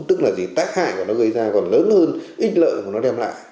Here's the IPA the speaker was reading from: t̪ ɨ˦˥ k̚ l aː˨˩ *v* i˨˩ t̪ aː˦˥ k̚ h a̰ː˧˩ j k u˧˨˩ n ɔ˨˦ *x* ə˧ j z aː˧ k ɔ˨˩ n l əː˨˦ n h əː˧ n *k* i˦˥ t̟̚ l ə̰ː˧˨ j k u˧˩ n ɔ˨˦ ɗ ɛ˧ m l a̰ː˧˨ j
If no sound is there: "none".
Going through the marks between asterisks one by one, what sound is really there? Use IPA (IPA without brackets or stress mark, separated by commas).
z, ɣ, ʔ